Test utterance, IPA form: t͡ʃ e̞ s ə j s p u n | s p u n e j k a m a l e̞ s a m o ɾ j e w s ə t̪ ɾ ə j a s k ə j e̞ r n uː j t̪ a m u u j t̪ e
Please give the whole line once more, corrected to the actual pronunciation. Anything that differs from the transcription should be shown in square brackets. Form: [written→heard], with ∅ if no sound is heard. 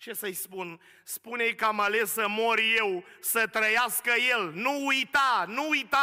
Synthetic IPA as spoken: t͡ʃ e̞ s ə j s p u n | s p u n e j k a m a l e̞ s [a→ə] m o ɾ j e w s ə t̪ ɾ ə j a s k ə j e̞ [r→l] n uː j t̪ a [m→n] u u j t̪ [e→a]